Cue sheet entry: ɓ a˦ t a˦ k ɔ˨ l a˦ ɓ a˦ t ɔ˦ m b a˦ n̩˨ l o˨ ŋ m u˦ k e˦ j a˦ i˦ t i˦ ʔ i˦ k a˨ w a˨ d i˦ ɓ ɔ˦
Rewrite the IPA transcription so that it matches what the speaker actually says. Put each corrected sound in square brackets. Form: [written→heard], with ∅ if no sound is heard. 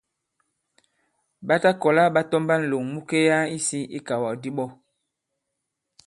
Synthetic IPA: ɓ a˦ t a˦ k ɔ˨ l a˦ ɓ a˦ t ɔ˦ m b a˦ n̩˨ l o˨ ŋ m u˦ k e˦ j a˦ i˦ [t→s] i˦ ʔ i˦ k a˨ w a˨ d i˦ ɓ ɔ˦